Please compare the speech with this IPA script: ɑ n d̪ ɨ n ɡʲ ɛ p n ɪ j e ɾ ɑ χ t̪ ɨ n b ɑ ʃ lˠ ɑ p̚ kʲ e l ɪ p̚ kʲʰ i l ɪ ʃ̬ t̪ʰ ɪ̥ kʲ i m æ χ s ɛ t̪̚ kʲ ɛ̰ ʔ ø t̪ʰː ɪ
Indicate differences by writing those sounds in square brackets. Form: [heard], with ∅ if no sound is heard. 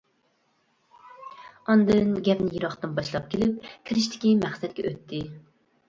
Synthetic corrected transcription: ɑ n d̪ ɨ n ɡʲ ɛ p n ɪ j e ɾ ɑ χ t̪ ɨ n b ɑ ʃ lˠ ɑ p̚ kʲ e l ɪ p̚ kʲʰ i [ɾ] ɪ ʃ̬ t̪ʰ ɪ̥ kʲ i m æ χ s ɛ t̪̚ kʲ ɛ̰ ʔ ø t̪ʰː ɪ

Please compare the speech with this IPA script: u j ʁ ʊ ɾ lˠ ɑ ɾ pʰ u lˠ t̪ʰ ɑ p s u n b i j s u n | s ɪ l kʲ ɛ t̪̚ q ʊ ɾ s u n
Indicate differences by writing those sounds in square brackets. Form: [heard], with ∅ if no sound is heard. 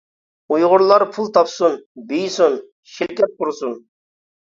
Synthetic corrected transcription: u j ʁ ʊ ɾ lˠ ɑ ɾ pʰ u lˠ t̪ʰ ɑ p s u n b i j s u n | [ʃ] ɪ l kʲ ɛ t̪̚ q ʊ ɾ s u n

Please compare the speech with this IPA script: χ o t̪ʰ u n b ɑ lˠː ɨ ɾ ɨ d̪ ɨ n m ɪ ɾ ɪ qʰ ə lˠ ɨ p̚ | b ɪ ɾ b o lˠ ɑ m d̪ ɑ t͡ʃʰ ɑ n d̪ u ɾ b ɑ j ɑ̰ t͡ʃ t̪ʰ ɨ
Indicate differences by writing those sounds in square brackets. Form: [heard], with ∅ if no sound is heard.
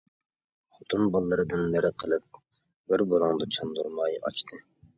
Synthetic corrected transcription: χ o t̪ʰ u n b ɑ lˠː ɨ ɾ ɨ d̪ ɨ n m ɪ ɾ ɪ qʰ ə lˠ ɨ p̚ | b ɪ ɾ b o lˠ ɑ [ŋ] d̪ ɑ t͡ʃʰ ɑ n d̪ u ɾ [m] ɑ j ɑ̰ t͡ʃ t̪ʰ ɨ

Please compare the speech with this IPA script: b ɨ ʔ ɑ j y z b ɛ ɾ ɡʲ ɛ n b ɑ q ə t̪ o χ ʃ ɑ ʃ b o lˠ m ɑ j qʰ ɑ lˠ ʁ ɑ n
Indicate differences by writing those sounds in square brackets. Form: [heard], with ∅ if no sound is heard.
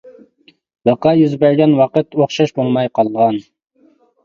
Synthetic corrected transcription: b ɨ [q] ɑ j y z b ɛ ɾ ɡʲ ɛ n [w] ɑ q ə t̪ o χ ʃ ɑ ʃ b o lˠ m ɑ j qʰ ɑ lˠ ʁ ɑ n

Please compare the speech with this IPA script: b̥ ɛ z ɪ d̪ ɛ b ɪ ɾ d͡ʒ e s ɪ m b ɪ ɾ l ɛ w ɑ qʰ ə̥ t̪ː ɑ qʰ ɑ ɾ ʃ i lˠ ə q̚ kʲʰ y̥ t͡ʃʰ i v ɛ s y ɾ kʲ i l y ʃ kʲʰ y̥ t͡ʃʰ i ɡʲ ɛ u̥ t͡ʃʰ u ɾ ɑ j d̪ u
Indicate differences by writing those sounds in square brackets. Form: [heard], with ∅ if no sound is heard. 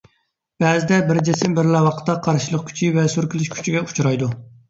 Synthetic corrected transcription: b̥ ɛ z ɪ d̪ ɛ b ɪ ɾ d͡ʒ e s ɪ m b ɪ ɾ l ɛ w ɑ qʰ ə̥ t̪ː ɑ qʰ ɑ ɾ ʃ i lˠ ə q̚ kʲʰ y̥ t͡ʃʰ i v ɛ s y ɾ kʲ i l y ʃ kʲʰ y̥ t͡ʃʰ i ɡʲ ɛ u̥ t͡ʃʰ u ɾ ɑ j d̪ u

